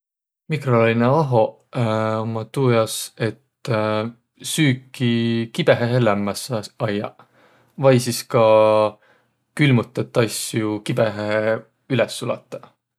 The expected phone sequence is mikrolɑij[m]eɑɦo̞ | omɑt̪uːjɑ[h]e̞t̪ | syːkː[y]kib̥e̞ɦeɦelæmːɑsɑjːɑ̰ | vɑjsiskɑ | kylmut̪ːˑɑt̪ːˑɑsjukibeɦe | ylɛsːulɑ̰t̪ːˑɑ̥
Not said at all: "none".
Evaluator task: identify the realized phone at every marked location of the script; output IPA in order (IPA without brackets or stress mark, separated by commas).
n, s, i